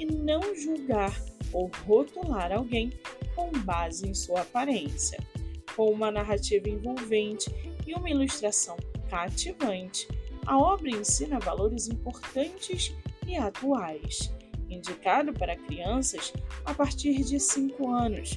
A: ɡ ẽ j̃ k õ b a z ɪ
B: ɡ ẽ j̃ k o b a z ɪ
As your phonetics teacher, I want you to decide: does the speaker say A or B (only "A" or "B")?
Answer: A